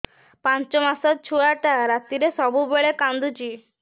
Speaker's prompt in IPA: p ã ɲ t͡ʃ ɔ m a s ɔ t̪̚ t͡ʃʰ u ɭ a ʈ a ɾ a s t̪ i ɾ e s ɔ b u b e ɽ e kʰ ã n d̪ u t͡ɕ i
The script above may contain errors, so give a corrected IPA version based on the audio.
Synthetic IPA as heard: p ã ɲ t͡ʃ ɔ m a s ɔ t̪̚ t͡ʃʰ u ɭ a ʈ a ɾ a t̪ i ɾ e s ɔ b u b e ɭ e k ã n d̪ u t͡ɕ i